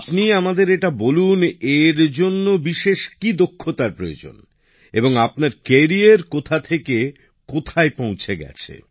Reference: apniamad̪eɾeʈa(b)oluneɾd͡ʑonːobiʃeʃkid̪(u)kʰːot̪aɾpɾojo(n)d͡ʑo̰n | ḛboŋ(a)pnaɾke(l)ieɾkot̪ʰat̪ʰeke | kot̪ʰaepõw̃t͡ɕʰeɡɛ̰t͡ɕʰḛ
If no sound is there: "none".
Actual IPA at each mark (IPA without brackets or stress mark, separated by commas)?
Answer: b, o, none, a, ɾ